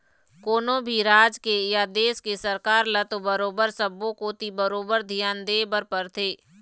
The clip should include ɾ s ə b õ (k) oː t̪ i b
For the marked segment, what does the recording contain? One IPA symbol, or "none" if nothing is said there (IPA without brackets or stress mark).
k